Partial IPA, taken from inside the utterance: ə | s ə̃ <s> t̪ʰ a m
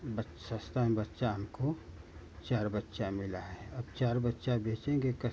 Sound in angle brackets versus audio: correct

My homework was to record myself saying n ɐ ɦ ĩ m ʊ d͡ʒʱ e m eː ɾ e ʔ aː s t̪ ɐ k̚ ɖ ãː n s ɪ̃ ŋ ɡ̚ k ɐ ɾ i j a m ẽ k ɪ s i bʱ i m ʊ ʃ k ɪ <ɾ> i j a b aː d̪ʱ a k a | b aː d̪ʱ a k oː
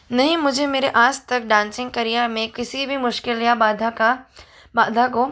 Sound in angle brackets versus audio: incorrect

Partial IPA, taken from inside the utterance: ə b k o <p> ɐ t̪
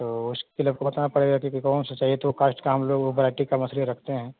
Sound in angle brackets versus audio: incorrect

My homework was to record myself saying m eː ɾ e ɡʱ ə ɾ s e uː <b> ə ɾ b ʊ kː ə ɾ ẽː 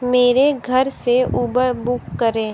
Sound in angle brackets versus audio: correct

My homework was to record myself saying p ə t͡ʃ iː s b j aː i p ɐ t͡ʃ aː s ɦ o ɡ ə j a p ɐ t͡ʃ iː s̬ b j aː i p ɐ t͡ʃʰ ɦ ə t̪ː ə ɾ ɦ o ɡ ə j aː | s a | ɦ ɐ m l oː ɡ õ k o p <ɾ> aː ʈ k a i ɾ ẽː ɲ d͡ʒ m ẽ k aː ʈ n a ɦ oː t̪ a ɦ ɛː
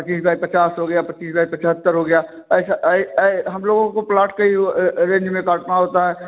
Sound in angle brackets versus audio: incorrect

